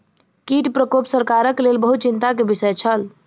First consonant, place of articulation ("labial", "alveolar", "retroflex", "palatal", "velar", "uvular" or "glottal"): velar